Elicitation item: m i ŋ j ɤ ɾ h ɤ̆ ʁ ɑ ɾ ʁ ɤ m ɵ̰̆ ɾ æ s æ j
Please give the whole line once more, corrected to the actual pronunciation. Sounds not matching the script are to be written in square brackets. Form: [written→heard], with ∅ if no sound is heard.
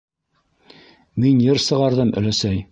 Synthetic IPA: m i [ŋ→n] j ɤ ɾ [h→s] ɤ̆ ʁ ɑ ɾ [ʁ→ð] ɤ m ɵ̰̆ [ɾ→l] æ s æ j